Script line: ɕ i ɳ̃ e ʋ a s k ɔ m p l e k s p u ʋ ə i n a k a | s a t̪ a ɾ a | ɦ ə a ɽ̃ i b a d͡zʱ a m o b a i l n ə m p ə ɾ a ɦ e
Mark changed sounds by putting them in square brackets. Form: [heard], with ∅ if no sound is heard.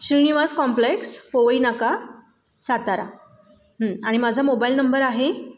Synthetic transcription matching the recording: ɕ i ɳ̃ [i] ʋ a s k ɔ m p l e k s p [o] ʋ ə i n a k a | s a t̪ a ɾ a | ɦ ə a ɽ̃ i [m] a d͡zʱ a m o b a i l n ə m [b] ə ɾ a ɦ e